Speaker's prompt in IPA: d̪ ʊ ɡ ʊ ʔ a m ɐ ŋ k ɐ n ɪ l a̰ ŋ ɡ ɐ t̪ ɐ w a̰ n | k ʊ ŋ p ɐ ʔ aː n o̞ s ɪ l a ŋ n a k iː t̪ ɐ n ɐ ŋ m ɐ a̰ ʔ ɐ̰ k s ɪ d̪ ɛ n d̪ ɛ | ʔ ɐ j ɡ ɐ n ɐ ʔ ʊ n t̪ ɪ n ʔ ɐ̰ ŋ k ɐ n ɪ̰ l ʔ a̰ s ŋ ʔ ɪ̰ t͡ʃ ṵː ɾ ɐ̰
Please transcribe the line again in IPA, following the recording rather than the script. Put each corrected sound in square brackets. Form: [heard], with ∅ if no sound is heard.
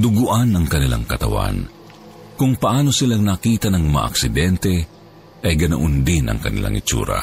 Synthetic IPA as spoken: d̪ ʊ ɡ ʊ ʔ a [n] ɐ ŋ k ɐ n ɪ l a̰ ŋ [k] ɐ t̪ ɐ w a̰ n | k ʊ ŋ p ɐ ʔ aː n o̞ s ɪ l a ŋ n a k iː t̪ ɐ n ɐ ŋ m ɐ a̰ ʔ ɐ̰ k s ɪ d̪ ɛ n [t̪] ɛ | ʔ ɐ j ɡ ɐ n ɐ ʔ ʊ n [d̪] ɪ n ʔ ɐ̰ ŋ k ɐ n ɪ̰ l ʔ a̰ [∅] ŋ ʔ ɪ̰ t͡ʃ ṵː ɾ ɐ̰